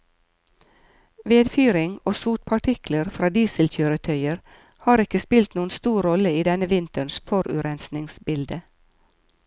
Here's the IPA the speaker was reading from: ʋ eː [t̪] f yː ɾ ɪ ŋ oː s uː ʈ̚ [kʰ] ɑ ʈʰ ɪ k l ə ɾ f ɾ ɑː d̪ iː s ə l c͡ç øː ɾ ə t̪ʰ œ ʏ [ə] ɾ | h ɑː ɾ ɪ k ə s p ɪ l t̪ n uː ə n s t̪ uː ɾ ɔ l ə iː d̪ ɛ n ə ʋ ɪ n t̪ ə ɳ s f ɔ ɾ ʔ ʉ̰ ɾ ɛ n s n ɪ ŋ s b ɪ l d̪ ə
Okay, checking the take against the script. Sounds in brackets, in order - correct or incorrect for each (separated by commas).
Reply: incorrect, incorrect, correct